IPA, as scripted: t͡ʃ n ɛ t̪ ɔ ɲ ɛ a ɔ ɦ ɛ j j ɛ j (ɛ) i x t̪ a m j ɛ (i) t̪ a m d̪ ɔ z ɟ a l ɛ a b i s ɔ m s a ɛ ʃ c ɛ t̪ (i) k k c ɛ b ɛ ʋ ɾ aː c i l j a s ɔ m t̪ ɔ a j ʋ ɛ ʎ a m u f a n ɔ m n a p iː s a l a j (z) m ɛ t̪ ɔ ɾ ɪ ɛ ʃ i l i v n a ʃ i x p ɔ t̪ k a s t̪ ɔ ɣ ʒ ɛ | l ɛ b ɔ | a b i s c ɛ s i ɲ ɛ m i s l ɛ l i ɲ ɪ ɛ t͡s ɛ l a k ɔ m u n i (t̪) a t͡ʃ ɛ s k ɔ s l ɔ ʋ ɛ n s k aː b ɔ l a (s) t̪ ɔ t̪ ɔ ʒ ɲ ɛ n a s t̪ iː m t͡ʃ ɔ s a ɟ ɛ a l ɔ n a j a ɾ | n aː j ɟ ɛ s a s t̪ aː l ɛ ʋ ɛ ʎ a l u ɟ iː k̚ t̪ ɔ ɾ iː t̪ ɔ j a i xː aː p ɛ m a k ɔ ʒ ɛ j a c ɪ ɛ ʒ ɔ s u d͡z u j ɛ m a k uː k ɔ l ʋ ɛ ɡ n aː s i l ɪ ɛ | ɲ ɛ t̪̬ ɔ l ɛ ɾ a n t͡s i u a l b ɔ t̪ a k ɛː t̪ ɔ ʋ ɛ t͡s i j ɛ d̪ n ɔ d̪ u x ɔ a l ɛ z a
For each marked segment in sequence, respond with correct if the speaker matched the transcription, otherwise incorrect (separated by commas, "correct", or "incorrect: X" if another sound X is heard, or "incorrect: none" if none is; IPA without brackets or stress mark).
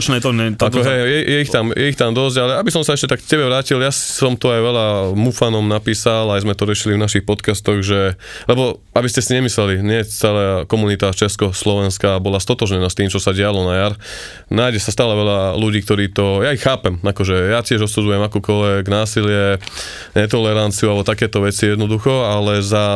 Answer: correct, correct, incorrect: a, correct, correct, correct